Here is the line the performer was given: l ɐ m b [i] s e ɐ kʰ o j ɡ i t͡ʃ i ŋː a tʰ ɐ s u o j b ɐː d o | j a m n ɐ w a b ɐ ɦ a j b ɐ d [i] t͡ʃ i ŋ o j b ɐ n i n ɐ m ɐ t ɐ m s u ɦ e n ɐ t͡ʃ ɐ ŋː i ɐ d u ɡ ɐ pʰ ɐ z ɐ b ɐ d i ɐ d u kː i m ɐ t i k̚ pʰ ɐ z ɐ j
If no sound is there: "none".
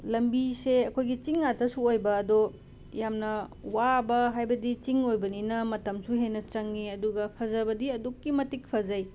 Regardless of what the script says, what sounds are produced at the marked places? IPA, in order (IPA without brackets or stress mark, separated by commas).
i, i